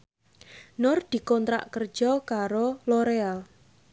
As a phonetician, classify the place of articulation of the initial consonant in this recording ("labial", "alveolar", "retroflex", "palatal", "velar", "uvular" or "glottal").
alveolar